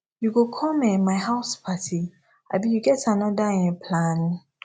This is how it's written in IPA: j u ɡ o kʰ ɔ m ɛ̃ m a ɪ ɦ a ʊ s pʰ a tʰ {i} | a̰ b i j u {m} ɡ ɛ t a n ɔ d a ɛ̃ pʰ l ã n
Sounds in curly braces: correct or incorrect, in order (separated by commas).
correct, incorrect